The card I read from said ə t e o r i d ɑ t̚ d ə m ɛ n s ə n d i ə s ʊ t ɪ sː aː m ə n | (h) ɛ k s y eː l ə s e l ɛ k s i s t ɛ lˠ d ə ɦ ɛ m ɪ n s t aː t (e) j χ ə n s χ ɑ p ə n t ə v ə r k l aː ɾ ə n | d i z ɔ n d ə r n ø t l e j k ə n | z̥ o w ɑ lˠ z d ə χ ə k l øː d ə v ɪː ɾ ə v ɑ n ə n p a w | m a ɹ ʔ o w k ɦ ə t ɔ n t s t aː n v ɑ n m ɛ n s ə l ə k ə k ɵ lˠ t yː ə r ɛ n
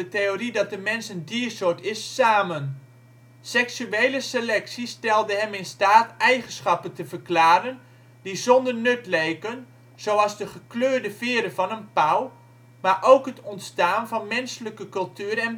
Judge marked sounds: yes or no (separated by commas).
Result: no, no